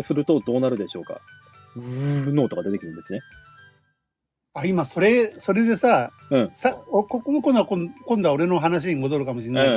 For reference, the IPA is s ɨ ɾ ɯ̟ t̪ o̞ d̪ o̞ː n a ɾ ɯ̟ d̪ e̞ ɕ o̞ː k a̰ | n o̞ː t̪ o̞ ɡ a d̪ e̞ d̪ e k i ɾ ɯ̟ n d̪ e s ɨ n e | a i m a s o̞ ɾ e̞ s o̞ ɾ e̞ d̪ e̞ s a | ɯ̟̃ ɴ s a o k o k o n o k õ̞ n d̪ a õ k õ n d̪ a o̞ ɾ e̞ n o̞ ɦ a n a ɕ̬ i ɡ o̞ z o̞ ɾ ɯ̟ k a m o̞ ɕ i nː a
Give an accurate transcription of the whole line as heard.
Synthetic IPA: s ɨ ɾ ɯ̟ t̪ o̞ d̪ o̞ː n a ɾ ɯ̟ d̪ e̞ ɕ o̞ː k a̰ | n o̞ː t̪ o̞ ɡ a d̪ e̞ t̪ e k i ɾ ɯ̟ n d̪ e s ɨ n e | a i m a s o̞ ɾ e̞ s o̞ ɾ e̞ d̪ e̞ s a | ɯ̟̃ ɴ s a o k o k o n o k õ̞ n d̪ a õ k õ n d̪ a o̞ ɾ e̞ n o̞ ɦ a n a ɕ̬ i ɡ o̞ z o̞ ɾ ɯ̟ k a m o̞ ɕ i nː a